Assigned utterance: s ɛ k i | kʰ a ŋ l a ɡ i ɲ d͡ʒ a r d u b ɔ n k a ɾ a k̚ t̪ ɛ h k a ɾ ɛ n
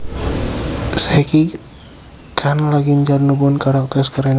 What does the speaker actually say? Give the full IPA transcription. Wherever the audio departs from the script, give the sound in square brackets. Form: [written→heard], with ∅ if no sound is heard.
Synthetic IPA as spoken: s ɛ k i | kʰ a [ŋ→n] l a ɡ i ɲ d͡ʒ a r [d→n] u b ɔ n k a ɾ a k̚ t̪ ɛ [h→s] k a ɾ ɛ n